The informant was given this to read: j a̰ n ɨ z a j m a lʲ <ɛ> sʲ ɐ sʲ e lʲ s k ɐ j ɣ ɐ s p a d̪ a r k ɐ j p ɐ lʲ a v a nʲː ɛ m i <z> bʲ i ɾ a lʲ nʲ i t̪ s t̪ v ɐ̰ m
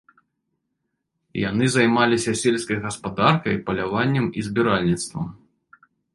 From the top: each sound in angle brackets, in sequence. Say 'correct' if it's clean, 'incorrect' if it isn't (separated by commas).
incorrect, correct